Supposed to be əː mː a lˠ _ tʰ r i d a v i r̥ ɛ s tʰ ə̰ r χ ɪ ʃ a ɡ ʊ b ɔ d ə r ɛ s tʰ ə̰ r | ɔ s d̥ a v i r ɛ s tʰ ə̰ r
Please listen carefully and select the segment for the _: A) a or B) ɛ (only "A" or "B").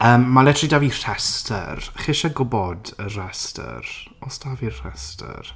B